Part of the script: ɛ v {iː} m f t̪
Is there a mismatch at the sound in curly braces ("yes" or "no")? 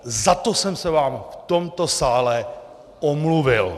yes